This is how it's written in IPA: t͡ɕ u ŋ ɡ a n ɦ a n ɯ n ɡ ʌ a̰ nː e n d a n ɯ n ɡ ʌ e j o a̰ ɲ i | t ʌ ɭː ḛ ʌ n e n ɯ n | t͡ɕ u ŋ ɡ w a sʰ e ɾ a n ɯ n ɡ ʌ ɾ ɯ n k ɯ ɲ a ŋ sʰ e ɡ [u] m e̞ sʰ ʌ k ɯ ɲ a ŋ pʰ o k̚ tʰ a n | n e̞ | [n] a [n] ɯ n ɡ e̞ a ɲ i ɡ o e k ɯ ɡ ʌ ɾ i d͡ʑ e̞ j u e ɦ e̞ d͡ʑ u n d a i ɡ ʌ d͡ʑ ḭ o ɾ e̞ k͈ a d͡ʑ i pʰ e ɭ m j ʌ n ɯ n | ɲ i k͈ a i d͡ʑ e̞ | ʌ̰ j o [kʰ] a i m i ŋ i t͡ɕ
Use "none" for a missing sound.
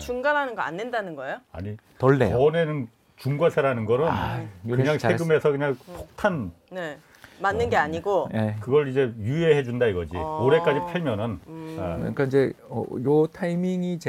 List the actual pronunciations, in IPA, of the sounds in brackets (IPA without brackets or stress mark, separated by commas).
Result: ɯ, m, nː, tʰ